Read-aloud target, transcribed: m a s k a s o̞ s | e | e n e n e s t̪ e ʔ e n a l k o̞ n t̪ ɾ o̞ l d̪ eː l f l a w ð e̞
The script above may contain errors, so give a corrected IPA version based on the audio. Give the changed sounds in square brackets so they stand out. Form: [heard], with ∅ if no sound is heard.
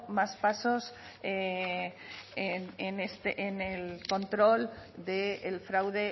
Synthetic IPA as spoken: m a s [p] a s o̞ s | e | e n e n e s t̪ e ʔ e n [e] l k o̞ n t̪ ɾ o̞ l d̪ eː l f [ɾ] a w ð e̞